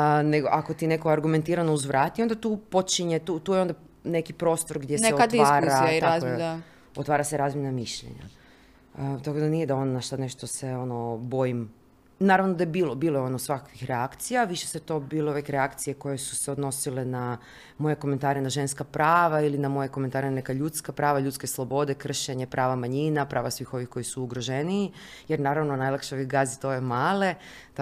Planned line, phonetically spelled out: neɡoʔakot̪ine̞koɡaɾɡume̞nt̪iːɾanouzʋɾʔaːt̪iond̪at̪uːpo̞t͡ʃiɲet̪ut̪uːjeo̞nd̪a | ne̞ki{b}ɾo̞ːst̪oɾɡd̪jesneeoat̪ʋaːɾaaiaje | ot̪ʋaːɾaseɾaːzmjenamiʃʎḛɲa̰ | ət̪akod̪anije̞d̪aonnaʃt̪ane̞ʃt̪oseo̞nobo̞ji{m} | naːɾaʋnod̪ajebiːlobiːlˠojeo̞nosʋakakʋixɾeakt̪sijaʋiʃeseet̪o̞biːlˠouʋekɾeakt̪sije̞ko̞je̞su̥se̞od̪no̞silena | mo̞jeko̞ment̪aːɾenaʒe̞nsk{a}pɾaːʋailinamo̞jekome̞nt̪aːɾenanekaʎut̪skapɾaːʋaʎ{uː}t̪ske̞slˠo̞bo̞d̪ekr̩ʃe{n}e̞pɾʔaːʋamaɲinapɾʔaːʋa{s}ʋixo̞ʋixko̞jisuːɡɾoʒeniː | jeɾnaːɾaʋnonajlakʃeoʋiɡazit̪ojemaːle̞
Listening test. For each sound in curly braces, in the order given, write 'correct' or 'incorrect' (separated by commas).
incorrect, correct, correct, incorrect, incorrect, correct